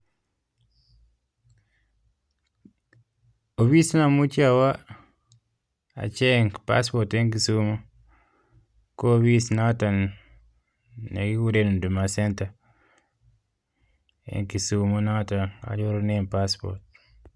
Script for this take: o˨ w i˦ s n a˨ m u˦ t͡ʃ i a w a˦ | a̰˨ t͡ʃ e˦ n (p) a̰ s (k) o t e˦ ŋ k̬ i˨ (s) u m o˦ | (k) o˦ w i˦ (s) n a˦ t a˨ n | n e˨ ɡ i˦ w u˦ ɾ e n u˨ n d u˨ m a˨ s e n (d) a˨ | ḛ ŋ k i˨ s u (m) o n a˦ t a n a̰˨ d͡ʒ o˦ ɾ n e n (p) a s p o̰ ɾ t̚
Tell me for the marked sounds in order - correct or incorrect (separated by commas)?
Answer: correct, incorrect, correct, correct, correct, incorrect, correct, correct